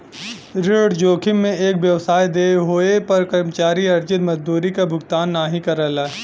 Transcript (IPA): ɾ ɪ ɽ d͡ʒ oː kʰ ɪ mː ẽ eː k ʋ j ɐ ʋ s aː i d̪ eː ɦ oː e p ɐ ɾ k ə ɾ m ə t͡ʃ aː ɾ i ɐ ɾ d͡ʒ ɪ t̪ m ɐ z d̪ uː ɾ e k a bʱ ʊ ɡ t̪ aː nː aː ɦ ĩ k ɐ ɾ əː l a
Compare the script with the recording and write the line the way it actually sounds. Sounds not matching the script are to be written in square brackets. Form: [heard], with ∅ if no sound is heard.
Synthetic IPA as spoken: ɾ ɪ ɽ d͡ʒ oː kʰ ɪ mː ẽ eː k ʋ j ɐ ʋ s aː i d̪ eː ɦ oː e p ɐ ɾ k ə ɾ m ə t͡ʃ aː ɾ i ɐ ɾ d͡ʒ ɪ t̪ m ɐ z d̪ uː ɾ [i] k a bʱ ʊ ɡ t̪ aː nː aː ɦ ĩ k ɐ ɾ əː l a

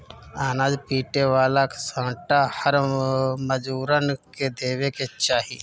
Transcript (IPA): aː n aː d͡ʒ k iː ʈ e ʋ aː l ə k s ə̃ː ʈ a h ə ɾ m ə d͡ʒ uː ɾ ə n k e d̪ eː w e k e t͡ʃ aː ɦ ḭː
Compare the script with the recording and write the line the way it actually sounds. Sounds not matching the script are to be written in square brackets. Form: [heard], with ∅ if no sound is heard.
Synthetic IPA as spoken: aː n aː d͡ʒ [p] iː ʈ e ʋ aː l [a] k s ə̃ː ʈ a h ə ɾ m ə d͡ʒ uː ɾ ə n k e d̪ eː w e k e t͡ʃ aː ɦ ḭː

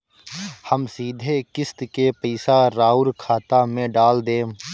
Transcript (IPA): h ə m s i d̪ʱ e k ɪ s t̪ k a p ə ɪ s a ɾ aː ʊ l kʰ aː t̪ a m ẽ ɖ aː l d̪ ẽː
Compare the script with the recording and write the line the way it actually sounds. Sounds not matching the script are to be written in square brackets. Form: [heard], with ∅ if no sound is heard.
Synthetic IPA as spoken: h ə m s [iː] d̪ʱ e k ɪ s t̪ k [e] p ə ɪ s a ɾ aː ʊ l kʰ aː t̪ a m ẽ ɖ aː l d̪ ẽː

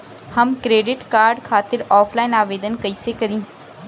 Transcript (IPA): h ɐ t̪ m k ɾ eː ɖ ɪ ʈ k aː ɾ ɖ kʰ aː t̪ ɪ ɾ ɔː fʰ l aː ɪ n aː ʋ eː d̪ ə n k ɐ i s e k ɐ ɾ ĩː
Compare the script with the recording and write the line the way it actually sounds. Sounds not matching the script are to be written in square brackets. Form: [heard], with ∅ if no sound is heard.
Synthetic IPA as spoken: h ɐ [∅] m k ɾ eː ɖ ɪ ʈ k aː ɾ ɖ kʰ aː t̪ ɪ ɾ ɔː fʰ l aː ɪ n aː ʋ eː d̪ ə n k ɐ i s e k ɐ ɾ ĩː

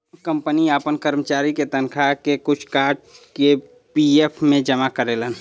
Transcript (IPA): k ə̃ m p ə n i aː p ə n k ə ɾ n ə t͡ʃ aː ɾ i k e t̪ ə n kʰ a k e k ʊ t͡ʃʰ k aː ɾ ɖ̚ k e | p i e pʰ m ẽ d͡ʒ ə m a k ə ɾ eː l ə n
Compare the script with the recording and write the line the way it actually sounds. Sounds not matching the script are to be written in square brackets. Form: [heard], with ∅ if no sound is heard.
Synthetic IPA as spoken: k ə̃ m p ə n i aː p ə n k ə ɾ [m] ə t͡ʃ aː ɾ i k e t̪ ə n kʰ a k e k ʊ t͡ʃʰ k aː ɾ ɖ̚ k e | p i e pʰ m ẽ d͡ʒ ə m a k ə ɾ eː l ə n

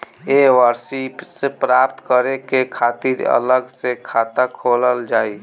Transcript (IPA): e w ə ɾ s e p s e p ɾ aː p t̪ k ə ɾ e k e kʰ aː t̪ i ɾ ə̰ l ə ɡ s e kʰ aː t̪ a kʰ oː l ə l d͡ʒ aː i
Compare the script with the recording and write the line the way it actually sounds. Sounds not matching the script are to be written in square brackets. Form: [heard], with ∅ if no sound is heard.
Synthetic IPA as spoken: e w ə ɾ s [i] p s e p ɾ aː p t̪ k ə ɾ e k e kʰ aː t̪ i ɾ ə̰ l ə ɡ s e kʰ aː t̪ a kʰ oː l ə l d͡ʒ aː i

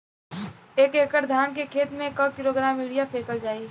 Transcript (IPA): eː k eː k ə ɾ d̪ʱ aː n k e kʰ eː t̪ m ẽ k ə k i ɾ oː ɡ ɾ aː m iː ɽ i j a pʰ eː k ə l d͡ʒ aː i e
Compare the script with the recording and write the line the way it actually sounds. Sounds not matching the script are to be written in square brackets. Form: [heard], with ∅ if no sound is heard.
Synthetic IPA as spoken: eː k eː k ə ɾ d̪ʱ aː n k e kʰ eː t̪ m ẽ k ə k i ɾ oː ɡ ɾ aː m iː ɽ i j a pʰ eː k ə l d͡ʒ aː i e

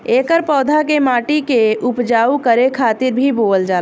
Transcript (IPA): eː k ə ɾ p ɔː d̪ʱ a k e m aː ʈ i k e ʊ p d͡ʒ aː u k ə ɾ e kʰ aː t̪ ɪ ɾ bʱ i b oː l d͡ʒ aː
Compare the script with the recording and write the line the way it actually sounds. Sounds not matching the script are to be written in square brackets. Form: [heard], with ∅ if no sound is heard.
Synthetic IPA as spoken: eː k ə ɾ p ɔː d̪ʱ a k e m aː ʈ i k e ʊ p d͡ʒ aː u k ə ɾ e kʰ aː t̪ ɪ ɾ bʱ i b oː l d͡ʒ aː

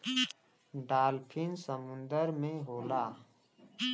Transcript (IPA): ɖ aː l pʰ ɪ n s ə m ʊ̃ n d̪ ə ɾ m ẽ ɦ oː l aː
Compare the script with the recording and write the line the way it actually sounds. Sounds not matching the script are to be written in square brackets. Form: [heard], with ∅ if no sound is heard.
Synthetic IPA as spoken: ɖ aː l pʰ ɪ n s ə m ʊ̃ n d̪ ə ɾ m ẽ ɦ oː l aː

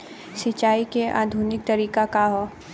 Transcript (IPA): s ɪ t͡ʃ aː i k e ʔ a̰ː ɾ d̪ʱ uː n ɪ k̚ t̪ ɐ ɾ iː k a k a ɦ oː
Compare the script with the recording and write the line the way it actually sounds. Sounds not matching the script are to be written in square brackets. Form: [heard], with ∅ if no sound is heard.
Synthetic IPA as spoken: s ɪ t͡ʃ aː i k e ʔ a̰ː [∅] d̪ʱ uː n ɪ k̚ t̪ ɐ ɾ iː k a k a ɦ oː

